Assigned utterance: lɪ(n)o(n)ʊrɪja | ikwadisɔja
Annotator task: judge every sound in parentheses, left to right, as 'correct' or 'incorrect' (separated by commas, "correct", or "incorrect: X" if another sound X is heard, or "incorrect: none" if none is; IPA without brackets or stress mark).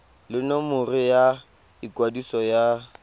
correct, incorrect: m